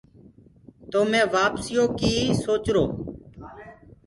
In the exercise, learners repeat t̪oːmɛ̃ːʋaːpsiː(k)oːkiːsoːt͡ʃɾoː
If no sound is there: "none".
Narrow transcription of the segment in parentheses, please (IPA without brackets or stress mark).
none